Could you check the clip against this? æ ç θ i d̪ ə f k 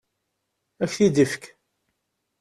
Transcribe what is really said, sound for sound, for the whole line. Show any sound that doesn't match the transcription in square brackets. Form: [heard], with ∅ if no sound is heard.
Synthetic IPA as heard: æ ç θ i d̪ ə f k